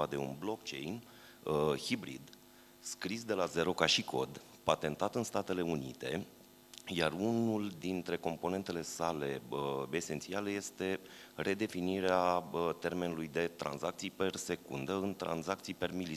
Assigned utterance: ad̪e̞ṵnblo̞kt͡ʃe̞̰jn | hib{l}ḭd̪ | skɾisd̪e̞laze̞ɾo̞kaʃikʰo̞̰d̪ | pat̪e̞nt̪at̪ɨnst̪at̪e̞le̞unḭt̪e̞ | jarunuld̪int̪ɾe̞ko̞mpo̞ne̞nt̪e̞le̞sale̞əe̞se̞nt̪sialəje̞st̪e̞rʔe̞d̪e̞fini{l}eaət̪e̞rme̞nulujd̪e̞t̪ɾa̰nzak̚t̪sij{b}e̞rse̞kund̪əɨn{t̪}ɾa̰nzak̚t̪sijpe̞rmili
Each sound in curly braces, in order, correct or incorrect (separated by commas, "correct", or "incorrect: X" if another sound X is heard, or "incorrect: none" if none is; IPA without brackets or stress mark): incorrect: ɾ, incorrect: ɾ, incorrect: p, correct